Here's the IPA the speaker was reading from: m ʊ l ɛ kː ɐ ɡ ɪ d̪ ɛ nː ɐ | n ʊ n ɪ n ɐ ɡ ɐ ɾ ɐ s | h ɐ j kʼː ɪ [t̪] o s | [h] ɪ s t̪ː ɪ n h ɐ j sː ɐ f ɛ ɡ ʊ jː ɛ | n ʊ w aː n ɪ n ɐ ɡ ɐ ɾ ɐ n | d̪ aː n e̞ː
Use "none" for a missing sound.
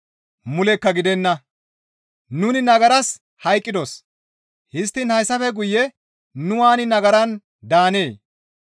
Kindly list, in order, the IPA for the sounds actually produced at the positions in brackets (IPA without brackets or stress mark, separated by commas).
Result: d̪, h